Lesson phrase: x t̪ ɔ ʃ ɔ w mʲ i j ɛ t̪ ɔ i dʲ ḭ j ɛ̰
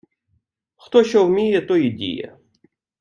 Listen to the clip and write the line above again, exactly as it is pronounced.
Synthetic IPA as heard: x t̪ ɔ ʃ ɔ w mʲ i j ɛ t̪ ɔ i dʲ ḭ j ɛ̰